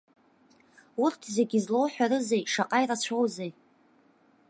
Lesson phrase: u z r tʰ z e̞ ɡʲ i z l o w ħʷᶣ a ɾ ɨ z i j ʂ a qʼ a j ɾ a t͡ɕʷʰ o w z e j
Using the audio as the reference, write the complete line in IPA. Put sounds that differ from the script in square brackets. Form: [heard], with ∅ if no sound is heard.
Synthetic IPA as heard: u [∅] r tʰ z e̞ ɡʲ i z l o w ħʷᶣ a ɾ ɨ z [e] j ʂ a qʼ a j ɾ a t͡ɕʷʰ o w z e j